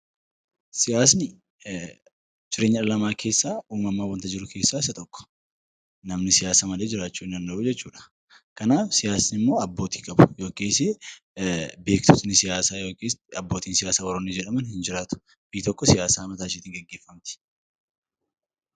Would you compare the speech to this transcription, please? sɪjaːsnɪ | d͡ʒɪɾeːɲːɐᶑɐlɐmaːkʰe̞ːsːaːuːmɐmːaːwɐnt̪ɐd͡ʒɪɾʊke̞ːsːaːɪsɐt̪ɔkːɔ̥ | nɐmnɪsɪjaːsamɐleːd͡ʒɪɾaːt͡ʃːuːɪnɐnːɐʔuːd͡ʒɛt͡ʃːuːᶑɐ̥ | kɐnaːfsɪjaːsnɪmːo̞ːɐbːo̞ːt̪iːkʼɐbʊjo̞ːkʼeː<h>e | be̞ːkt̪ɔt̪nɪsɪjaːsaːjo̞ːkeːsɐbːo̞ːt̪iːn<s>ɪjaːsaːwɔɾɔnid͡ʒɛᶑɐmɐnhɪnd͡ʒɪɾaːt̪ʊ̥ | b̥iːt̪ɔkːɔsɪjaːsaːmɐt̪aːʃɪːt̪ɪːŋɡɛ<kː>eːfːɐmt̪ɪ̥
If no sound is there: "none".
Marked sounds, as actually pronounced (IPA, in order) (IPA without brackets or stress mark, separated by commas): s, s, ɡː